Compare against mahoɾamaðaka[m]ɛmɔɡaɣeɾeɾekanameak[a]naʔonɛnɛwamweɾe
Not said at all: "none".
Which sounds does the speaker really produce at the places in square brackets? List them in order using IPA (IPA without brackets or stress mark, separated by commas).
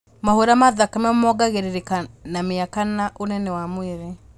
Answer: m, a